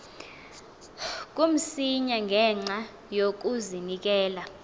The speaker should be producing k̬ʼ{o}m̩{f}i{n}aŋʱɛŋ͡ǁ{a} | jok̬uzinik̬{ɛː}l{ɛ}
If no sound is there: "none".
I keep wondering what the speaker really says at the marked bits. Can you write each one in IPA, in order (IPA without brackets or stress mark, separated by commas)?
u, s, ɲ, a, ɛː, a